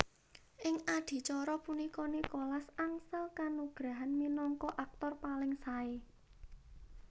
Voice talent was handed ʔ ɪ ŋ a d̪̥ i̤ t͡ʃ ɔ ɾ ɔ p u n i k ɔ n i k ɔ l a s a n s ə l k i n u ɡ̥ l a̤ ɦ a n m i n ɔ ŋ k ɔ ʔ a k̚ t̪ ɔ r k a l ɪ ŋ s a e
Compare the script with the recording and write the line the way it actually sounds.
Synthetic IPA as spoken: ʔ ɪ ŋ a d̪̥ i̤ t͡ʃ ɔ ɾ ɔ p u n i k ɔ n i k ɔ l a s a ŋ s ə l k a n u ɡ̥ ɾ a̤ ɦ a n m i n ɔ ŋ k ɔ ʔ a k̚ t̪ ɔ r p a l ɪ ŋ s a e